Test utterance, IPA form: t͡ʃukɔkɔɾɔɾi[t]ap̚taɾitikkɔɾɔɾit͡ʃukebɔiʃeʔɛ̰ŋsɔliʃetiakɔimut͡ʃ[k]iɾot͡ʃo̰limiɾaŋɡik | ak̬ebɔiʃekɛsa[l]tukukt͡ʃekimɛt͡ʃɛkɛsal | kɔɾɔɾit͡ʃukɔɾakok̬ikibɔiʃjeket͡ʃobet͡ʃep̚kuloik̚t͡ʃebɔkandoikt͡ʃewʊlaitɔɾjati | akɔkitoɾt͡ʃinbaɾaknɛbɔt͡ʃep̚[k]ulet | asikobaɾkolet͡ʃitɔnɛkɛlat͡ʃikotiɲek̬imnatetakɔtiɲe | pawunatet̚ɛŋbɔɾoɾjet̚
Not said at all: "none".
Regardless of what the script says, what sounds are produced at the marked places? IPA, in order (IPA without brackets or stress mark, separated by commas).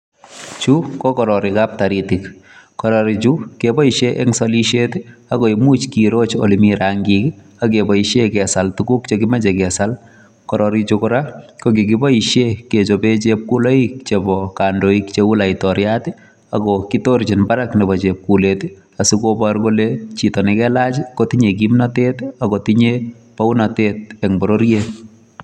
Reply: k, k, l, k